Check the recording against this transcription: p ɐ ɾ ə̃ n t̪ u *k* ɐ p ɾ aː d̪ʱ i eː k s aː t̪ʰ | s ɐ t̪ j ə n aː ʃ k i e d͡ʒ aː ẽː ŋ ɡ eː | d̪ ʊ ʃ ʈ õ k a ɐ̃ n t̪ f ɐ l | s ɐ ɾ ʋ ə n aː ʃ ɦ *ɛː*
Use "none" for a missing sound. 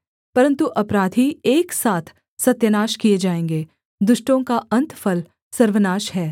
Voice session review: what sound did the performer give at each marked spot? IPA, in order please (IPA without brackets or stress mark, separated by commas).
ʔ, ɛː